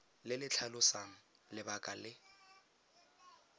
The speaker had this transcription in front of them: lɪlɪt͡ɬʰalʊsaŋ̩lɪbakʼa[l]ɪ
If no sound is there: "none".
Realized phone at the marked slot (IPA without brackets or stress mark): l